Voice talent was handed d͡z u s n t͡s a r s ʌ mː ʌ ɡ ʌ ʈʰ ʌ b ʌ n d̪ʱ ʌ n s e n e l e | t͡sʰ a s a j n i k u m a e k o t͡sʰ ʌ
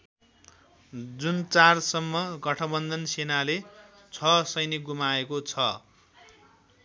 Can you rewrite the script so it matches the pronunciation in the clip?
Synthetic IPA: d͡z u n t͡s a r s ʌ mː ʌ ɡ ʌ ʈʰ ʌ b ʌ n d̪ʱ ʌ n s e n a l e | t͡sʰ ʌ s ʌ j n i ɡ u m a e k o t͡sʰ ʌ